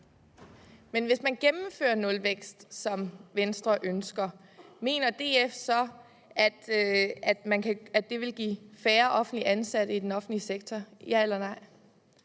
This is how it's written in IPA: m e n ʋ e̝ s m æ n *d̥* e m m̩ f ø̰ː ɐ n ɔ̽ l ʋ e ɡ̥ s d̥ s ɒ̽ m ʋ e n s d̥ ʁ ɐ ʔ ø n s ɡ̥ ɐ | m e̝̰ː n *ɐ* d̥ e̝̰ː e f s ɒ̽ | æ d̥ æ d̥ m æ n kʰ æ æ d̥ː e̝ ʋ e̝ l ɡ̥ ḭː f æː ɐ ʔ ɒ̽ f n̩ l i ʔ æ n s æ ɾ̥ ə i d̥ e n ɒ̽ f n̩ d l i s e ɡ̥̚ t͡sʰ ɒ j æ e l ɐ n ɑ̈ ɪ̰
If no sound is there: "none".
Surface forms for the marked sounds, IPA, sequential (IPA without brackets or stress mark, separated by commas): ɡ̥, ɐ